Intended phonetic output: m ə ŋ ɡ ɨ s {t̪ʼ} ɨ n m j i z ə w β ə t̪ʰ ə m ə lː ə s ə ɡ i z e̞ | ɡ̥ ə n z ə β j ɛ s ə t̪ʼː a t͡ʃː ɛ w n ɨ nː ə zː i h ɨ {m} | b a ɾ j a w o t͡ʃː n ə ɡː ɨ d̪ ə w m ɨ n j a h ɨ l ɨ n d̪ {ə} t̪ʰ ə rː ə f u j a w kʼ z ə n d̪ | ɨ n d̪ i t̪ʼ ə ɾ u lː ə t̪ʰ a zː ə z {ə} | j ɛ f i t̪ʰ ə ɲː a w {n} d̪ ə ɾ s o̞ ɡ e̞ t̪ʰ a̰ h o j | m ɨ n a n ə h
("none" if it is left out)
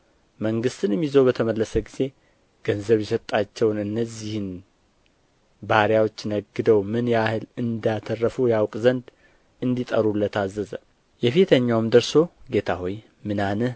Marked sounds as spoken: t̪, n, a, ə, m

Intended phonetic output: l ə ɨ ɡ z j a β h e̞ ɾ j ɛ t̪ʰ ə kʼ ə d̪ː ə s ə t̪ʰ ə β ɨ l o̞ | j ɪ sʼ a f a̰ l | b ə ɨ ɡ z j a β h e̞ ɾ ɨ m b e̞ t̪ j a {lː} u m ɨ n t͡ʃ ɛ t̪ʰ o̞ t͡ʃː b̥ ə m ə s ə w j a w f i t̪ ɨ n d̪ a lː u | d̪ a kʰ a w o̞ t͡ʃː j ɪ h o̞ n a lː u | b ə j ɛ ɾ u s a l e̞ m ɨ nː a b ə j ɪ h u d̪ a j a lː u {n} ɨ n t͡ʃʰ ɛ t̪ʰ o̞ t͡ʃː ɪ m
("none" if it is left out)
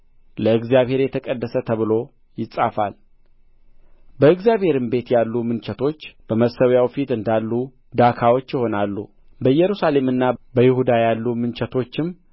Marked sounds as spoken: lː, m

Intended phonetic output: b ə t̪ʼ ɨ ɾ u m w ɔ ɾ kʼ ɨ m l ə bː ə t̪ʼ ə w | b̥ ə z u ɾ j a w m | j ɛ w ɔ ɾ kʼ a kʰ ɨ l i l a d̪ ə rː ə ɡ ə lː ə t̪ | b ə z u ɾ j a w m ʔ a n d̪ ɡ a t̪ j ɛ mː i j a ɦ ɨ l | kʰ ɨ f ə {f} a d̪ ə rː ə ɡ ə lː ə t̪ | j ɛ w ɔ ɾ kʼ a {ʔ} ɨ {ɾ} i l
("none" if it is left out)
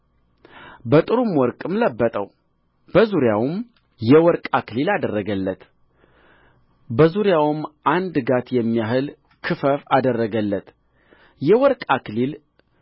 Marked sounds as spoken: f, k, l

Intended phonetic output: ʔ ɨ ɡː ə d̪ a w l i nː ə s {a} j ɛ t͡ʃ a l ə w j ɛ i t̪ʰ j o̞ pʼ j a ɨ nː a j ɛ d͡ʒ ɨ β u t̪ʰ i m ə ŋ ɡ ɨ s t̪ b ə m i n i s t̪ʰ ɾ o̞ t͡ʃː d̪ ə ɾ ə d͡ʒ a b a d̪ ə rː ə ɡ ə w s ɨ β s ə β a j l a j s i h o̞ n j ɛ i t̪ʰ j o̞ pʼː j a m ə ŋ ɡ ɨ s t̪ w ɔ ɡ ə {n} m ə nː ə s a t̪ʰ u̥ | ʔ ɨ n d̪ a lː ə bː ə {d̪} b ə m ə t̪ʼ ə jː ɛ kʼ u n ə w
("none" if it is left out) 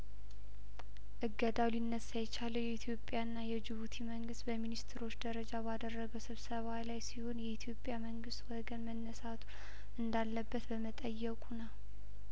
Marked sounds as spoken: a, n, t̪

